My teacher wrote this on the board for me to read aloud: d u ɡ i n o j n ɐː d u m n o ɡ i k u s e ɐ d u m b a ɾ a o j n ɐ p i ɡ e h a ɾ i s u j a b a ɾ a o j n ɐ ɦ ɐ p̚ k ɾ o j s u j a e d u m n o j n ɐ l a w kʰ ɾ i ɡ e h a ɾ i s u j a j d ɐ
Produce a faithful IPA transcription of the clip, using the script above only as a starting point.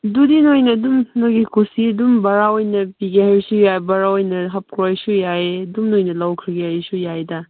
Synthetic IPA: d u d i n o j n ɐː d u m n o ɡ i k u s i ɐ d u m b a ɾ a o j n ɐ p i ɡ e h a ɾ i s u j a b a ɾ a o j n ɐ ɦ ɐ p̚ k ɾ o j s u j a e d u m n o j n ɐ l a w kʰ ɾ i ɡ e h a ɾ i s u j a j d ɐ